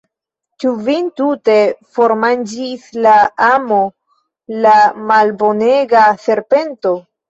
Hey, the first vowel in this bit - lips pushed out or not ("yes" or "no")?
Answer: yes